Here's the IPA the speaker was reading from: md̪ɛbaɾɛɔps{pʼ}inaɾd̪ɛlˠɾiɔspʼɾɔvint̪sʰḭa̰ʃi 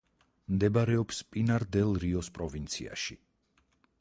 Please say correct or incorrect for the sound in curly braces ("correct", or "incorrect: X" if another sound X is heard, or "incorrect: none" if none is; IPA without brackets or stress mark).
correct